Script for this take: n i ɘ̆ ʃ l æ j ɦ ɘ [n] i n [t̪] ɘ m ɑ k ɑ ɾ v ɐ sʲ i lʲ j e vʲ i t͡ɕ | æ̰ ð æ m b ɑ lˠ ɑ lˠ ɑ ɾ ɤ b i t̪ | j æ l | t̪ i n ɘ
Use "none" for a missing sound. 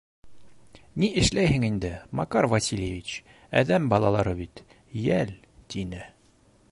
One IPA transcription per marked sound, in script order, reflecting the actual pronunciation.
ŋ, d̪

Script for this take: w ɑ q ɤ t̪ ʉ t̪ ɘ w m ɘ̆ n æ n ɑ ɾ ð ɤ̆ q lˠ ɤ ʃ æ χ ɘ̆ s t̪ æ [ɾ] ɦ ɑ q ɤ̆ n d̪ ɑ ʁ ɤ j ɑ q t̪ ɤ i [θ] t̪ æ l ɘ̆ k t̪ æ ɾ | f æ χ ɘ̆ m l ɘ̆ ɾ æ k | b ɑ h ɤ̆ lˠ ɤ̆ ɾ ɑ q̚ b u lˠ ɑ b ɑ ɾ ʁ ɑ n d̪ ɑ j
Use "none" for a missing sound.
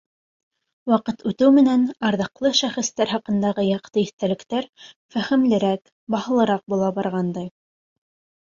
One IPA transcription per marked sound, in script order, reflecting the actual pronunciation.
ɾ, θ

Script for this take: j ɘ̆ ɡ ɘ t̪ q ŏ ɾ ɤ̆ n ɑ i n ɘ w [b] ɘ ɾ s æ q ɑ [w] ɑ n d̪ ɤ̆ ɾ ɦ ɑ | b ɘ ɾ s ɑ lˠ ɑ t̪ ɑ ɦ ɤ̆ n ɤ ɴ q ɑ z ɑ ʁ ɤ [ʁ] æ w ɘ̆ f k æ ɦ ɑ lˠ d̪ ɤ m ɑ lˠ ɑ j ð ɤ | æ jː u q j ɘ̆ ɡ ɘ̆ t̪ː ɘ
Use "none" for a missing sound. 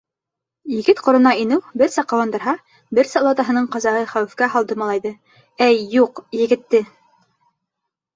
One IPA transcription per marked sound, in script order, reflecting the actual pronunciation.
b, w, χ

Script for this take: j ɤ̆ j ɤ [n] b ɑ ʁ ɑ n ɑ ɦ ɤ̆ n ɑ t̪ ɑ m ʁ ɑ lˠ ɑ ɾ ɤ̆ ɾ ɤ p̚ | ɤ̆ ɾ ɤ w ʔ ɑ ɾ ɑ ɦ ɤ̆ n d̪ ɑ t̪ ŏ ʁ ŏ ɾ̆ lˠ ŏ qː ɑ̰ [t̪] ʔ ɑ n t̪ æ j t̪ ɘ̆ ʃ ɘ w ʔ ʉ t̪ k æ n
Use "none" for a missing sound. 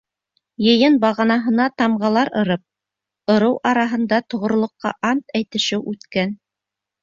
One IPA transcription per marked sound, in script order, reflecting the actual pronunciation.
n, none

